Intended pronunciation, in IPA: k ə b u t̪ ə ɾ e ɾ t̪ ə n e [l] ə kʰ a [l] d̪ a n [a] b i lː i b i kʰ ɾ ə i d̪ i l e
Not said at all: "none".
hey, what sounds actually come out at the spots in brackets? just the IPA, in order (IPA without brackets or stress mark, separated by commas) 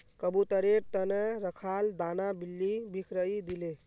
ɾ, l, a